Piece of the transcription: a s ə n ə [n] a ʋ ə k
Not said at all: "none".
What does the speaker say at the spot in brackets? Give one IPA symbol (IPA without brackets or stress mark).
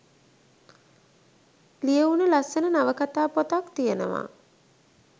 n